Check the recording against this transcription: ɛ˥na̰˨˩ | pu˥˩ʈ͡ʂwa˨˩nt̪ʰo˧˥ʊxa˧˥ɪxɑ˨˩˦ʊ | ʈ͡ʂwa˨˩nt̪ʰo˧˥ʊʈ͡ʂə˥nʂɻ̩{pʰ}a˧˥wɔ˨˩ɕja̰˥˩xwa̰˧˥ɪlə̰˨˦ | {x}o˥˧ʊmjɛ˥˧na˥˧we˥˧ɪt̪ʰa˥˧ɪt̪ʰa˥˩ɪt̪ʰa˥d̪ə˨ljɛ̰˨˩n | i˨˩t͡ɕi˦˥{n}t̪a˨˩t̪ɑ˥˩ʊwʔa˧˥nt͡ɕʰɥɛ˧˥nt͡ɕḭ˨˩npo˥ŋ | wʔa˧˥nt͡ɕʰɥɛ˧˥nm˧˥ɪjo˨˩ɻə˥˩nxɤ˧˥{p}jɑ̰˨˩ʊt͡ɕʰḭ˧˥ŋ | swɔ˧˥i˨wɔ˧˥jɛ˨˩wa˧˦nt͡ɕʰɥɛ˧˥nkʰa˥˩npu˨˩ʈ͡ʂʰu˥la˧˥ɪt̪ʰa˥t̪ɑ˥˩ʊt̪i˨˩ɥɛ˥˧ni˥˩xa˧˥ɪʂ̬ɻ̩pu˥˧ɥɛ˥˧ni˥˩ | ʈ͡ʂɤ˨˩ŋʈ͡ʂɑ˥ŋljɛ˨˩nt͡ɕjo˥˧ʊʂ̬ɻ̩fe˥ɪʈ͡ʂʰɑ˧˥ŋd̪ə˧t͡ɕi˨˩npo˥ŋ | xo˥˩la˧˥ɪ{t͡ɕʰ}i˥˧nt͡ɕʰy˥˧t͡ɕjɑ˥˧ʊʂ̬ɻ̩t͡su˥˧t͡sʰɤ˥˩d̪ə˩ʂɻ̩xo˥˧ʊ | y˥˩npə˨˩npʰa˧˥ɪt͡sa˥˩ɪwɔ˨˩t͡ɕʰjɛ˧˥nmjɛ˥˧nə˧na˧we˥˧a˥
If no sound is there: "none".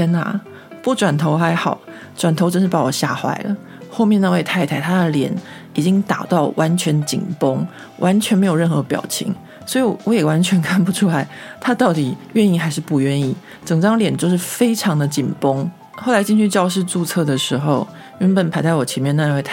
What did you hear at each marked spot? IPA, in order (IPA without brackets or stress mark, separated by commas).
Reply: p, x, ŋ, p, t͡ɕ